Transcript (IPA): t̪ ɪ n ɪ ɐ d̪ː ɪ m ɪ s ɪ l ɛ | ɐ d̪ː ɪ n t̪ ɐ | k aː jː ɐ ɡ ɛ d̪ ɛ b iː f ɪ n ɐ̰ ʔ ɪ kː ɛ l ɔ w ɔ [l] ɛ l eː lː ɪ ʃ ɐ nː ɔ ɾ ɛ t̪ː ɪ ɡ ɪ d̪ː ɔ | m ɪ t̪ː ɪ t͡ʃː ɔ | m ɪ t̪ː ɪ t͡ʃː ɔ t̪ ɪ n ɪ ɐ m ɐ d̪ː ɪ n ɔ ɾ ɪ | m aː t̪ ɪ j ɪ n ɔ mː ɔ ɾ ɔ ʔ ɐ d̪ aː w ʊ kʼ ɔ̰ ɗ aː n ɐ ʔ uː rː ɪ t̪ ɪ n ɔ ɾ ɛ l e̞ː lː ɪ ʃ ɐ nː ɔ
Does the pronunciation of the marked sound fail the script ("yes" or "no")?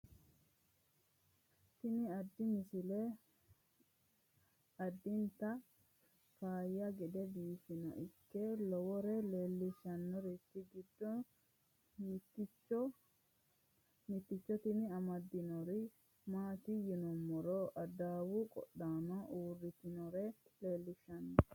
yes